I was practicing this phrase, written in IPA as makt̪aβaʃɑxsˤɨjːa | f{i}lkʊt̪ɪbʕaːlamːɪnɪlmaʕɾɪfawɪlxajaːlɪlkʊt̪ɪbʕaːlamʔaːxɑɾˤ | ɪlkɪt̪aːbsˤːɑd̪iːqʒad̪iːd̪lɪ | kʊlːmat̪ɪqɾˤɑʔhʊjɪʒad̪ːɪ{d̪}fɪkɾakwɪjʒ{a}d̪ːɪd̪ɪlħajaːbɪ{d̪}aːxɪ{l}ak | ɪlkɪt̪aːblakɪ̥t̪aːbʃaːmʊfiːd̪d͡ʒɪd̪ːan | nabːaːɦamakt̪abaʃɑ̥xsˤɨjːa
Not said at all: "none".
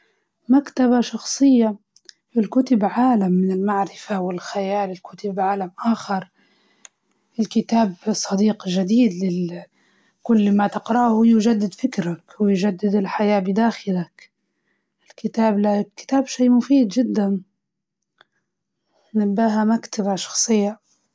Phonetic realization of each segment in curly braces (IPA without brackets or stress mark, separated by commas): ɪ, d̪, a, d̪, l